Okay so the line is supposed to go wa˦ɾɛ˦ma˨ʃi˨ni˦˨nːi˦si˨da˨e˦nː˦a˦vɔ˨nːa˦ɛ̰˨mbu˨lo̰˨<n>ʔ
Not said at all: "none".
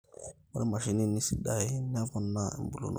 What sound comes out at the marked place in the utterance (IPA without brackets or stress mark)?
n